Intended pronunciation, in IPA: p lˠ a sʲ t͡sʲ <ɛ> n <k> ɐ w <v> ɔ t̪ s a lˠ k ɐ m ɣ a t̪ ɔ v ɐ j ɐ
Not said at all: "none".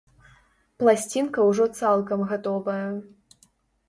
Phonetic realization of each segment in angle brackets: i, k, ʐ

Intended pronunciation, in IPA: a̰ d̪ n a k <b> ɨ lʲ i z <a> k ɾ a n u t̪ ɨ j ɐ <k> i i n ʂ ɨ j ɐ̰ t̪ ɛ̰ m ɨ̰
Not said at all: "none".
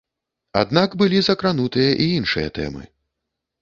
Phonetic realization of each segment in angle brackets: b, ɐ, ʔ

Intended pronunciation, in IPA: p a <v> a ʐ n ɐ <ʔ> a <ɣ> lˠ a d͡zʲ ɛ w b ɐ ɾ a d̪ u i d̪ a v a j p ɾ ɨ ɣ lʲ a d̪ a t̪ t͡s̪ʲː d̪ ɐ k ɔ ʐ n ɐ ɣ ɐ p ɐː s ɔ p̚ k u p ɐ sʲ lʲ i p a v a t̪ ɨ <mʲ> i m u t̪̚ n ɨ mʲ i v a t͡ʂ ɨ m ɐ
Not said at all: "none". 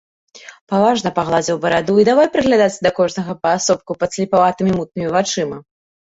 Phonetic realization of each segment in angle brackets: v, p, ɣ, mʲ

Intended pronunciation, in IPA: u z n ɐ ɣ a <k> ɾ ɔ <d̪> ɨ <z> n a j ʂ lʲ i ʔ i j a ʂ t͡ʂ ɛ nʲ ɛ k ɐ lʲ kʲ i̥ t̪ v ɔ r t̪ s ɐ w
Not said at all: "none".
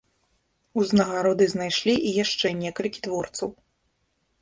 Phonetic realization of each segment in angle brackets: none, d̪, z

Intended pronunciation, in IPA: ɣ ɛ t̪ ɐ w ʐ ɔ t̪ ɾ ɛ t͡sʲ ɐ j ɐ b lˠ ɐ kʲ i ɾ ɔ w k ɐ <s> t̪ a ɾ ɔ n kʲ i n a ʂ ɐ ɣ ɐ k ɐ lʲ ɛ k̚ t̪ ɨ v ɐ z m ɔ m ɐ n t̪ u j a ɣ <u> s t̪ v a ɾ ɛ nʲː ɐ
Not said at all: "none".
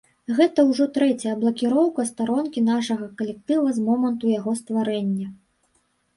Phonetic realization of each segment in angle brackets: s, ɔ

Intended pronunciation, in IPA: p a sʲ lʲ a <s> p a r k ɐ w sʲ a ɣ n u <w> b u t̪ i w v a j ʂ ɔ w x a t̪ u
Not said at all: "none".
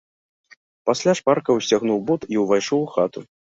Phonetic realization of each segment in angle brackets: ʂ, w

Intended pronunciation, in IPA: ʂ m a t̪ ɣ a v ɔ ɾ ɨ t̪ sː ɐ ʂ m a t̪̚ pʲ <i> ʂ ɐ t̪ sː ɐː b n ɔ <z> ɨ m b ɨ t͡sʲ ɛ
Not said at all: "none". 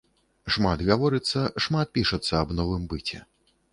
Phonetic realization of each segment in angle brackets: i, v

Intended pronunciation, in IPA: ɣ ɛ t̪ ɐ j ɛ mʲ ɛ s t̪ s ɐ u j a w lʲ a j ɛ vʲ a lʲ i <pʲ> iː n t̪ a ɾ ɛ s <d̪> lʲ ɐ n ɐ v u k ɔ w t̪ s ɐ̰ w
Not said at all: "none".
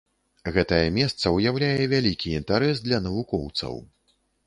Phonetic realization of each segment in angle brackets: kʲ, d̪

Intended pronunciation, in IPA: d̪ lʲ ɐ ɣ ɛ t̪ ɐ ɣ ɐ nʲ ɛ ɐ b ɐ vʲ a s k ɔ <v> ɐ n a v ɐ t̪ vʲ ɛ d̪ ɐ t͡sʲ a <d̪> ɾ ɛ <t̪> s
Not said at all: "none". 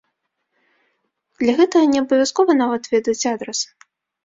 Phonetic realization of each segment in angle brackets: v, d̪, none

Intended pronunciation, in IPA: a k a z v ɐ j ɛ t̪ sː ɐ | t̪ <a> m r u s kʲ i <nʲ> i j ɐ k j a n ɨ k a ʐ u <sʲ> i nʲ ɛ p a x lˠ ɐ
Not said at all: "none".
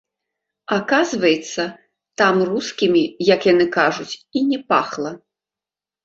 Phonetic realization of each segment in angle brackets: a, mʲ, t͡sʲ

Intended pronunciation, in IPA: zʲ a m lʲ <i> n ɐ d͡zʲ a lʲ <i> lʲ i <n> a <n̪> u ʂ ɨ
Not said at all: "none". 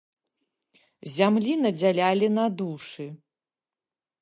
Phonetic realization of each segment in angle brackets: i, a, n, d̪

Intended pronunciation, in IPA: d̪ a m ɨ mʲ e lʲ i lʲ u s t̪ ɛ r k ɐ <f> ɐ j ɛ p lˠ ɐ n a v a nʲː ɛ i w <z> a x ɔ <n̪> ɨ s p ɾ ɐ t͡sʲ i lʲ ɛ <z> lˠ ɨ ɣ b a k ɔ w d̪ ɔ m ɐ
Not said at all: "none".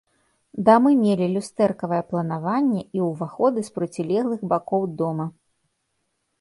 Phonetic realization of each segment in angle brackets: v, v, d̪, ɣ

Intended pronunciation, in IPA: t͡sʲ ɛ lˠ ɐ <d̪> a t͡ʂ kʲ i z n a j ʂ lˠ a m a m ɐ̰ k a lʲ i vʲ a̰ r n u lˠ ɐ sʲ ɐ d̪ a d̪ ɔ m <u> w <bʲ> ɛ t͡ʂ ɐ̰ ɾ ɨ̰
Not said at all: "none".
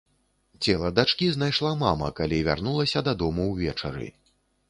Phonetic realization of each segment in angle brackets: d̪, u, vʲ

